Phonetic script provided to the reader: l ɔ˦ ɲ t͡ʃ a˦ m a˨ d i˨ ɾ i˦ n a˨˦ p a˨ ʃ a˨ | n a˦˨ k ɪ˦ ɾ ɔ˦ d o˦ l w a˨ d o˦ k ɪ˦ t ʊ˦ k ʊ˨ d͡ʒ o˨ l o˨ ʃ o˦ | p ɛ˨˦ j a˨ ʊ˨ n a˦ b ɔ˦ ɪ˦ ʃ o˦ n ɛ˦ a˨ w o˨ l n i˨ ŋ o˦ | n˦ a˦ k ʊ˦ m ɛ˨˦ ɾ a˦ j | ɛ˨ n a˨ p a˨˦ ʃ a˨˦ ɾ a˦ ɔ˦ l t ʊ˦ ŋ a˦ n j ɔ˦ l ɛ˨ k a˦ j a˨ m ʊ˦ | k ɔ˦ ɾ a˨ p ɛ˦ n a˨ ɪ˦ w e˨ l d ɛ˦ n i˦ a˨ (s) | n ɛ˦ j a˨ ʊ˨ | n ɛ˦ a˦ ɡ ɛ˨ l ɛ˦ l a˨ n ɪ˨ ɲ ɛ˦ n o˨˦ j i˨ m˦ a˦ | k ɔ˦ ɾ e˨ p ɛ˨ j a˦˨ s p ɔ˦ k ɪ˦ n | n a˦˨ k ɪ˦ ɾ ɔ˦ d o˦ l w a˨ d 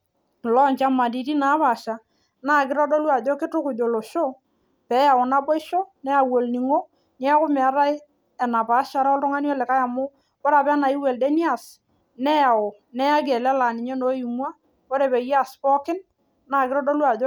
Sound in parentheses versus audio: correct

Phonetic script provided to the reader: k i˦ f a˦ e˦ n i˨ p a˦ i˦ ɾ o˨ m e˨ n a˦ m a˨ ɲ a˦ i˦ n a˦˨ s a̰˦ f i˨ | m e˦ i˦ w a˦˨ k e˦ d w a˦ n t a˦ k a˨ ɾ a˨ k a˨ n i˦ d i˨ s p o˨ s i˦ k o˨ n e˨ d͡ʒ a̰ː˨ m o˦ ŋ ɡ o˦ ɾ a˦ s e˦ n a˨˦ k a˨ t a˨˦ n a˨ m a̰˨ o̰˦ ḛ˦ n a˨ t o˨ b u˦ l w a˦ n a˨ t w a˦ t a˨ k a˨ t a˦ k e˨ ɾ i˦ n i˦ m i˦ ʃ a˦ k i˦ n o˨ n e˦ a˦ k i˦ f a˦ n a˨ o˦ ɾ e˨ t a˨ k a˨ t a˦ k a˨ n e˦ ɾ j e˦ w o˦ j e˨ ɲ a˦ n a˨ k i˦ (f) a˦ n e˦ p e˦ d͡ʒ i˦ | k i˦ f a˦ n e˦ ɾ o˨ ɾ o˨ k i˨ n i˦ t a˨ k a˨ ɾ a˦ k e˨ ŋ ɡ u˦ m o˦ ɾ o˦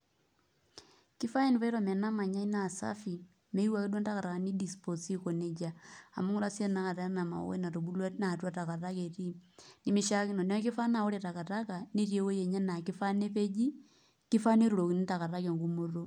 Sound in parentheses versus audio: correct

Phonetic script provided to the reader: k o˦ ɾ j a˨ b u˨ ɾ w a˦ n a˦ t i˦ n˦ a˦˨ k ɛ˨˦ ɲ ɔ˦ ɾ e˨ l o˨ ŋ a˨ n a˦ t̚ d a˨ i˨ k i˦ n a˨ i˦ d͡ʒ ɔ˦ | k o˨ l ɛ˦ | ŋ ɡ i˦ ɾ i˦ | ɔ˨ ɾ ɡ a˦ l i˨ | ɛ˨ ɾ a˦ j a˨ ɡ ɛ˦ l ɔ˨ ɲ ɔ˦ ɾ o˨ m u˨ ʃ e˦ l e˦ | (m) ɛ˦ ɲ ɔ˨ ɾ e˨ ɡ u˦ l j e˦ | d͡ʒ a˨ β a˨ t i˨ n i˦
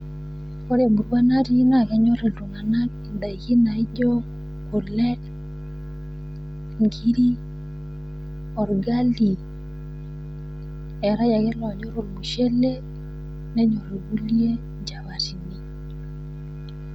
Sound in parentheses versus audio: incorrect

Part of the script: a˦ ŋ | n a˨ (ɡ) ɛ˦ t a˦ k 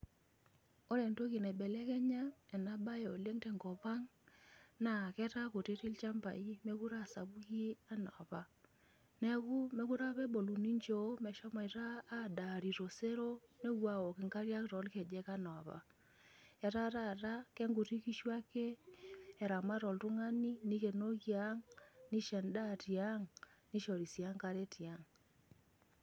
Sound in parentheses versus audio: incorrect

